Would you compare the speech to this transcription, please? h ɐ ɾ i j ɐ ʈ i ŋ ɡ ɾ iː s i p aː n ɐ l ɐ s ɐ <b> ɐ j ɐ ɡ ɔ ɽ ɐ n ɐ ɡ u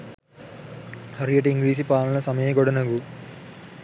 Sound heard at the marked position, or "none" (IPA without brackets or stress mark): m